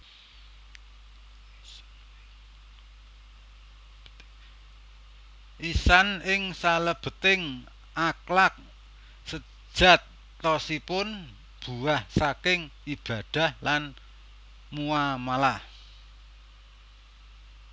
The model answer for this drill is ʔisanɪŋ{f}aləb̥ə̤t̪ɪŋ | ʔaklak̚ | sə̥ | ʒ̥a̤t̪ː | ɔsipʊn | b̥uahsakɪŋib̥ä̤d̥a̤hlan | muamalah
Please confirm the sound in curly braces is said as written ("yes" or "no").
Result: no